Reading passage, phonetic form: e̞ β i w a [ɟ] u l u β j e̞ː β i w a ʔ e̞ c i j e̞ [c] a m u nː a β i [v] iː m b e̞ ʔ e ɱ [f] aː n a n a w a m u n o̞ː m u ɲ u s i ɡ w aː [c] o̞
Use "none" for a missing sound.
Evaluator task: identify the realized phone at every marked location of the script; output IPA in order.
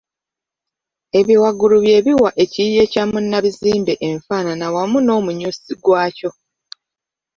ɡ, c, z, f, c

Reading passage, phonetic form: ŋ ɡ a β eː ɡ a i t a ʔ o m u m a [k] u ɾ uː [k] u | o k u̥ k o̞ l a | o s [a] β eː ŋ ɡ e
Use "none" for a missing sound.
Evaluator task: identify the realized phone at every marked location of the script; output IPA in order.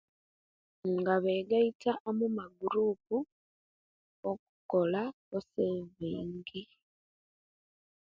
ɡ, p, e

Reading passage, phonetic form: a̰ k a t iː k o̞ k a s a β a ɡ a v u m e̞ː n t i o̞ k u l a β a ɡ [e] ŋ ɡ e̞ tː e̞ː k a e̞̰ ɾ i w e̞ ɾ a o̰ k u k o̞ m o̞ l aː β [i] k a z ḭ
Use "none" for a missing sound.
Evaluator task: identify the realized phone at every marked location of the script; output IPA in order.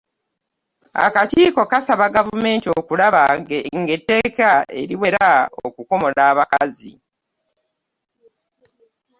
e, a

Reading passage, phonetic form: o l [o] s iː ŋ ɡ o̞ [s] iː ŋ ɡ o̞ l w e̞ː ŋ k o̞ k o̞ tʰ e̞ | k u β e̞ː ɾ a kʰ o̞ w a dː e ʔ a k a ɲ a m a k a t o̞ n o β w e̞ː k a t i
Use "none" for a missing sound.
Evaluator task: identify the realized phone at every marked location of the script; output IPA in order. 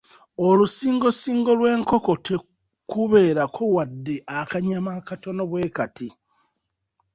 u, s

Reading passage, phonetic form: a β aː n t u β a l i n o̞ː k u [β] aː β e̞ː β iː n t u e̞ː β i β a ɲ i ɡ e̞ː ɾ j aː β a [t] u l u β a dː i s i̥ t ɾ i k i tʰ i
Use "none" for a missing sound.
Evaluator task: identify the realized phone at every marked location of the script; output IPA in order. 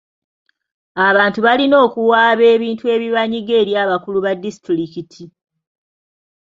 w, k

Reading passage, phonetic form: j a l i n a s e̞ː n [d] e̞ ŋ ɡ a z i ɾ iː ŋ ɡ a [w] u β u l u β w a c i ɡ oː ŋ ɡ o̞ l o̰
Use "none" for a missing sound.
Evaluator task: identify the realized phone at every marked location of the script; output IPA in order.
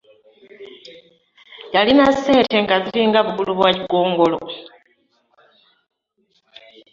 t, β

